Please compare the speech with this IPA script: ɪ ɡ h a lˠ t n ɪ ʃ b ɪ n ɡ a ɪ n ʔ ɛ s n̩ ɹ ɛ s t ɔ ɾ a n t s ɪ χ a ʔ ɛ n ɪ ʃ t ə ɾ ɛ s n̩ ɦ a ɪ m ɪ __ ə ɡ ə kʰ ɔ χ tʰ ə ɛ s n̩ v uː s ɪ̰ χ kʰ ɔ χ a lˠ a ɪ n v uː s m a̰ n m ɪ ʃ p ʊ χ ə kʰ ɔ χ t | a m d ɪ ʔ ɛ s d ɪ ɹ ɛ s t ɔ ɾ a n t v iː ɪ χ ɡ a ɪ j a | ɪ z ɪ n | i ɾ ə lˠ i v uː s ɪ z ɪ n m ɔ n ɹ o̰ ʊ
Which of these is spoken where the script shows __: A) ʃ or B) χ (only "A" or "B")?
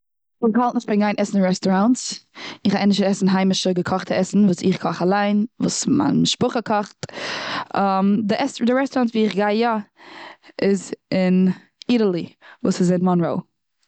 A